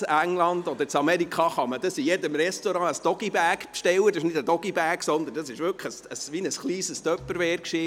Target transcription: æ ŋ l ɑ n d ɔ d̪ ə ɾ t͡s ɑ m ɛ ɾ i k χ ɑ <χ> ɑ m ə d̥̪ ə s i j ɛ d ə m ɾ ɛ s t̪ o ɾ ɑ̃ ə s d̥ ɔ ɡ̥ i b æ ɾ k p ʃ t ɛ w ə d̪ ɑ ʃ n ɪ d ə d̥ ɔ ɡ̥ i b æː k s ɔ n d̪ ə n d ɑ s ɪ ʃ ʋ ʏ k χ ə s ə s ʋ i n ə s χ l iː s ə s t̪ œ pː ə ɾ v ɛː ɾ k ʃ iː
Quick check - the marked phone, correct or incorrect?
correct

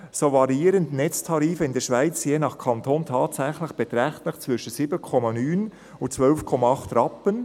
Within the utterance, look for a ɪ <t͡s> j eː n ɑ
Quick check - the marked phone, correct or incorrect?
correct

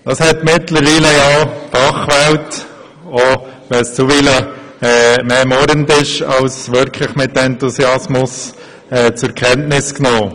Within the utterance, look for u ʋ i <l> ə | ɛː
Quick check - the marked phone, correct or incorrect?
correct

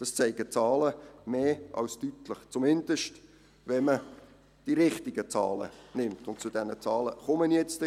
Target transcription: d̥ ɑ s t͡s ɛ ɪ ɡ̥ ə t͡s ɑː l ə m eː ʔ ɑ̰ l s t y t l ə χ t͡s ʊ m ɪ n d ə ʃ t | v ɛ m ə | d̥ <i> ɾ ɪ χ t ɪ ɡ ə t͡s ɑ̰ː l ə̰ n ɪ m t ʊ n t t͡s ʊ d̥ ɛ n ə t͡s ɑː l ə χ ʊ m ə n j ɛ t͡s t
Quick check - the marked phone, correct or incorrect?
correct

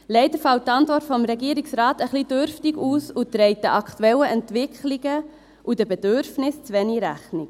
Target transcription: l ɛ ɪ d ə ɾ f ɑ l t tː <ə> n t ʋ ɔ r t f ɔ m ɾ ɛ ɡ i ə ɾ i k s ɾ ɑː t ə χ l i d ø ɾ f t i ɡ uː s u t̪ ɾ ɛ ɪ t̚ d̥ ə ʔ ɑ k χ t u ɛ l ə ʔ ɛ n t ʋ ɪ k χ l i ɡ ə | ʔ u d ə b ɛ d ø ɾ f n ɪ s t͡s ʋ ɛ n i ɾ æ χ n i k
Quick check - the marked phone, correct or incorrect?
incorrect: ɑ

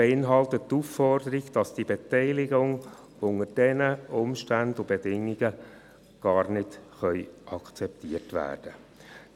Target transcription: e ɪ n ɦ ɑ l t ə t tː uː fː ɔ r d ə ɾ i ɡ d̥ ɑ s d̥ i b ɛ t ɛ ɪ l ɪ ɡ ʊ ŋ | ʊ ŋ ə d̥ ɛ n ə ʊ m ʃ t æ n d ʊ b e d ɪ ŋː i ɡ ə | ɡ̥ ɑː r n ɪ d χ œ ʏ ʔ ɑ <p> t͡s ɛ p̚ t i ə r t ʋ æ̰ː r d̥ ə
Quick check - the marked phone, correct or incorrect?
incorrect: k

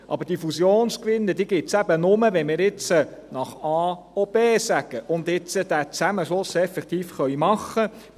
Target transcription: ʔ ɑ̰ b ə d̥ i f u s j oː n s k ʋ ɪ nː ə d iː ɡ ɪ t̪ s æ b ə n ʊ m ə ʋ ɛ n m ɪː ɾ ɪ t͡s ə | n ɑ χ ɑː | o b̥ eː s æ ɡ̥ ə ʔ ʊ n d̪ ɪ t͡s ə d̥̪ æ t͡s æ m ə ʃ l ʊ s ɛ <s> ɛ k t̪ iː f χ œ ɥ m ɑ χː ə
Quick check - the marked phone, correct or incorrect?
incorrect: f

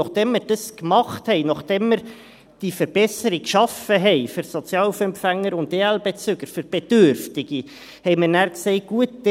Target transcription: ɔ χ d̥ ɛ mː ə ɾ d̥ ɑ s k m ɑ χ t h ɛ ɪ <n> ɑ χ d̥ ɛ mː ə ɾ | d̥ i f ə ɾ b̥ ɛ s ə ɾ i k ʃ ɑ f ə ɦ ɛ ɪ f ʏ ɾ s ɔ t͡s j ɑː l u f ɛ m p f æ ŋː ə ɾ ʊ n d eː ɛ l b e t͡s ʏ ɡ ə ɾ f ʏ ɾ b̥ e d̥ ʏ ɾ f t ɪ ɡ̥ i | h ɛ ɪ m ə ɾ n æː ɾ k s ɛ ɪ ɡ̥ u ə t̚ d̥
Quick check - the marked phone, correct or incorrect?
correct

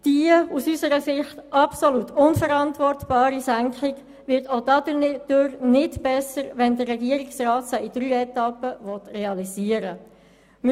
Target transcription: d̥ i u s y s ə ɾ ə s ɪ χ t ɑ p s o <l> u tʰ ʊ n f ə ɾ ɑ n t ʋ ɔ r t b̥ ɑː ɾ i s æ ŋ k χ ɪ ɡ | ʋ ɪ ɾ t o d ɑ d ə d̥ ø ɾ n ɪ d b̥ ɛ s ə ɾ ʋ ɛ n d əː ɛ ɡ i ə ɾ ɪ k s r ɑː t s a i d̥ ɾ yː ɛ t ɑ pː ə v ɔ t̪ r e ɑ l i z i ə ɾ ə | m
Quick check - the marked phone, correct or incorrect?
correct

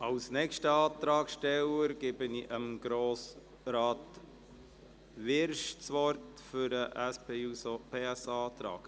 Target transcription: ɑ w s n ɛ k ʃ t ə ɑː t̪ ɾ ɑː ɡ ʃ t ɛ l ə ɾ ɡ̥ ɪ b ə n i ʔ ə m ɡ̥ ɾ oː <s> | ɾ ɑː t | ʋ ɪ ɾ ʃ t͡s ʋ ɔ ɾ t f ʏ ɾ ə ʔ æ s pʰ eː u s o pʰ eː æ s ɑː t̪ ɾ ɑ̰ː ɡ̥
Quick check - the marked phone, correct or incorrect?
correct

